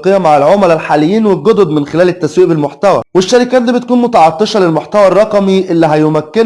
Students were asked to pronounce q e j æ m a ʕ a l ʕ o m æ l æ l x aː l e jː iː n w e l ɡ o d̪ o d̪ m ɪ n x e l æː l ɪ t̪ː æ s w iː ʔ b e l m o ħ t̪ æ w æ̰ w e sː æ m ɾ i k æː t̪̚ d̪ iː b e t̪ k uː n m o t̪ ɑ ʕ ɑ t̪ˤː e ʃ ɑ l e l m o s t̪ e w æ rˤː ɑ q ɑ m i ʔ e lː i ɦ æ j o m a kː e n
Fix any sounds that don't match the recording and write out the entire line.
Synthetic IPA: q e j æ m a ʕ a l ʕ o m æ l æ l ħ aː l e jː iː n w e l ɡ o d̪ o d̪ m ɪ n x e l æː l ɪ t̪ː æ s w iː ʔ b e l m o ħ t̪ æ w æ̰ w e ʃː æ ɾ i k æː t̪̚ d̪ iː b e t̪ k uː n m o t̪ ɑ ʕ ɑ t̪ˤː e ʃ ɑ l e l m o ħ t̪ æ w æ rˤː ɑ q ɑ m i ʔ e lː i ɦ æ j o m æ kː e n